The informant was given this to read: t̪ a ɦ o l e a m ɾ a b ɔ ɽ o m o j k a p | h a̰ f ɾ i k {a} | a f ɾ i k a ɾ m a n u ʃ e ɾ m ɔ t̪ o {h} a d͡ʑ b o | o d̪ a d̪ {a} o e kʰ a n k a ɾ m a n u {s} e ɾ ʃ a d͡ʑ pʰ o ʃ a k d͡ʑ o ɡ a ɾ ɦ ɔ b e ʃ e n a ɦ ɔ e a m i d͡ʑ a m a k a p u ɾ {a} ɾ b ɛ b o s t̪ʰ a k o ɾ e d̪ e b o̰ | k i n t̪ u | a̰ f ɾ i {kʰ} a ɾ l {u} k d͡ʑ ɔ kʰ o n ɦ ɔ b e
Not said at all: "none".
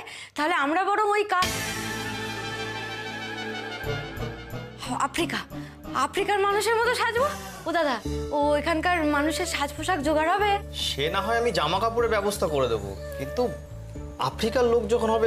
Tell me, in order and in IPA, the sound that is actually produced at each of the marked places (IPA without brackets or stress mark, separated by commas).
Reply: a, ʃ, a, ʃ, e, k, o